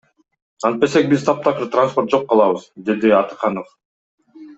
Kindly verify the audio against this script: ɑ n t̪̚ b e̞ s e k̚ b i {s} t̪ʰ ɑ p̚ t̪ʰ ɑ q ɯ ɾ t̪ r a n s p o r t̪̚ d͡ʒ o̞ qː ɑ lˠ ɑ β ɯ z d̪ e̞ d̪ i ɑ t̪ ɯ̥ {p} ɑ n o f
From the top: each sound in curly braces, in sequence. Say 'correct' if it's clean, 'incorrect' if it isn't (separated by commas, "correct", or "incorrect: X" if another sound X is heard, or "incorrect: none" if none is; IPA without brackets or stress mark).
incorrect: z, incorrect: q